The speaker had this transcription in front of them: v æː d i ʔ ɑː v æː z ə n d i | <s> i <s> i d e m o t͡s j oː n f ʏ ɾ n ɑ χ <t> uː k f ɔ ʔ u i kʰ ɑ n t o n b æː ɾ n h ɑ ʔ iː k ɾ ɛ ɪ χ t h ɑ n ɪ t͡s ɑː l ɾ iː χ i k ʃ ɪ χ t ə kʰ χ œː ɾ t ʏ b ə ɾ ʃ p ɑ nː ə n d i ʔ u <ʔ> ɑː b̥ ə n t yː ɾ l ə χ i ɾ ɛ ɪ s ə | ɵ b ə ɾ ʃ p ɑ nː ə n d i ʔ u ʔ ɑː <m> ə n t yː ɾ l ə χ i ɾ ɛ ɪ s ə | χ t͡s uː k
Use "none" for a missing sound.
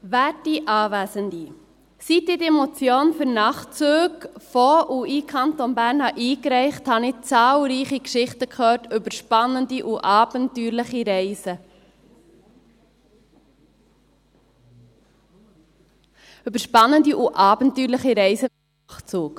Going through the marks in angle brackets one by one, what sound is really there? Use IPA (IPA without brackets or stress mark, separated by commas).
s, t, t͡s, ʔ, b